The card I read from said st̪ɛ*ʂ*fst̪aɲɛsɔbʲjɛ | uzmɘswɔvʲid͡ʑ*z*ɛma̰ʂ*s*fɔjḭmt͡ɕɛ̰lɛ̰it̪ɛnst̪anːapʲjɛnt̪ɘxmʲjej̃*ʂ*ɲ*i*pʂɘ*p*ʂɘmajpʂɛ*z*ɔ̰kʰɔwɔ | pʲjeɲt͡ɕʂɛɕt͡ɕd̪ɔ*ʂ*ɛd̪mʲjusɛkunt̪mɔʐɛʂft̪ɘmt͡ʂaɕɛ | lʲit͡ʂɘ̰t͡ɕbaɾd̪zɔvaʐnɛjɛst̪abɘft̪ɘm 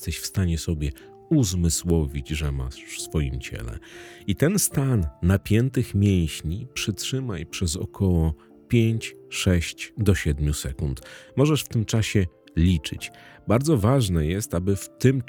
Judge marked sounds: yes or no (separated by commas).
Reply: no, no, yes, no, yes, no, yes, no